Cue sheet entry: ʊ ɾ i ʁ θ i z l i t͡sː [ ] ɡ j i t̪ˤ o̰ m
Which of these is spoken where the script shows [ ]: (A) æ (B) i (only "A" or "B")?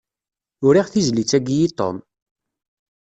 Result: A